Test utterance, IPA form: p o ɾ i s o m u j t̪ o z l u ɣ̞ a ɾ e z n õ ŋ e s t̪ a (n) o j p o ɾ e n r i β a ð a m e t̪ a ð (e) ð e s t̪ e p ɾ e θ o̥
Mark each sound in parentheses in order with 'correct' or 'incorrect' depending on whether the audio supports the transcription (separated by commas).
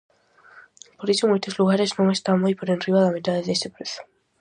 incorrect, correct